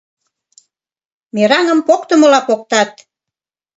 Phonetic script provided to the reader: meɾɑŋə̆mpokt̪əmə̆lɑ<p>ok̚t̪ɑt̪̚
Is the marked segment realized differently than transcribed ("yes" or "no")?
no